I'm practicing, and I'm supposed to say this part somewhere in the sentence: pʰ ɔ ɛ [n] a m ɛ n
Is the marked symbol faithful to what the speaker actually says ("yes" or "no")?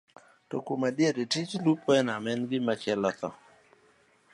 yes